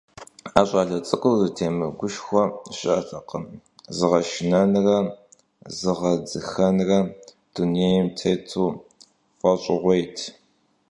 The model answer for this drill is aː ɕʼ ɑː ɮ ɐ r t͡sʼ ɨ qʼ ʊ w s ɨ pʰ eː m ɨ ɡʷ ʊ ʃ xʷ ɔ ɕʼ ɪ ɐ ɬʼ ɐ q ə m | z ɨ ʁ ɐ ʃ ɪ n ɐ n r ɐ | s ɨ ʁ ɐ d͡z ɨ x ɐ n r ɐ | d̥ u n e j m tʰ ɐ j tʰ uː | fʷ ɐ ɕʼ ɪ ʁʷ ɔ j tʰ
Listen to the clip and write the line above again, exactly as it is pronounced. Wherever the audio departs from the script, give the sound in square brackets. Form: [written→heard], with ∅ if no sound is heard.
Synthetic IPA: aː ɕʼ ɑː ɮ ɐ [r→∅] t͡sʼ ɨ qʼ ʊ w [s→z] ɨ [pʰ→tʰ] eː m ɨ ɡʷ ʊ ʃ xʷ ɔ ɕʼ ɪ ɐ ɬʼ ɐ q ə m | z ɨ ʁ ɐ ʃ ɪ n ɐ n r ɐ | [s→z] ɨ ʁ ɐ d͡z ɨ x ɐ n r ɐ | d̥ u n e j m tʰ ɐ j tʰ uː | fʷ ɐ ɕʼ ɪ ʁʷ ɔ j tʰ